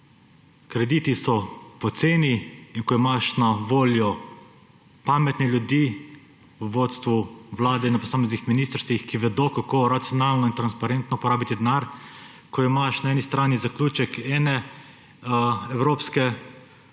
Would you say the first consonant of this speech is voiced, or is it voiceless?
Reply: voiceless